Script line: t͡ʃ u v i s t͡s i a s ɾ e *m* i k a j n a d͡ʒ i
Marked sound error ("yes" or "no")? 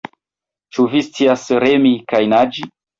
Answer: no